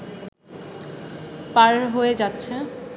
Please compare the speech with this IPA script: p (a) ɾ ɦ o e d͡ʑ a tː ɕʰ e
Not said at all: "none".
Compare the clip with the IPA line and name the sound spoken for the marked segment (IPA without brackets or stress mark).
a